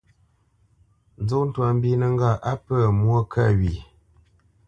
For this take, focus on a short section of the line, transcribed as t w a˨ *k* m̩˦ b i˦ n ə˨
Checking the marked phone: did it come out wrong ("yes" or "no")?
yes